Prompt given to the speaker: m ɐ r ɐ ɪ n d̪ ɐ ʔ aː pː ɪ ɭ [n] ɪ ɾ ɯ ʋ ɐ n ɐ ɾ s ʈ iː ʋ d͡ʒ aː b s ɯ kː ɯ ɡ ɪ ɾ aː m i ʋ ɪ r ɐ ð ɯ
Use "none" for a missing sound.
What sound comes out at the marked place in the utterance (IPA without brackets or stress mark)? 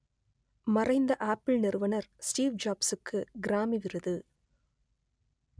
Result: n